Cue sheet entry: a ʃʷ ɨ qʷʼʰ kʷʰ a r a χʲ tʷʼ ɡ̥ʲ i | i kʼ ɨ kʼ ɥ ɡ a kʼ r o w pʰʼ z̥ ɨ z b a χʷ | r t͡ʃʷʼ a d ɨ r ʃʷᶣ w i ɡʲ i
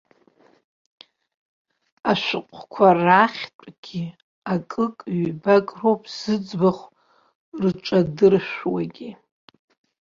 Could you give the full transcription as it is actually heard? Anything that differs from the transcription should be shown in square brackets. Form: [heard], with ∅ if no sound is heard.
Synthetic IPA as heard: a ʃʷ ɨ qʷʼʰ kʷʰ a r a χʲ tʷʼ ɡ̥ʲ i | [a] kʼ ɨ kʼ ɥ [b] a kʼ r o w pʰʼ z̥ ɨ [d͡z] b a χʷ | r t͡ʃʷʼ a d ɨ r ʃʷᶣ w [a] ɡʲ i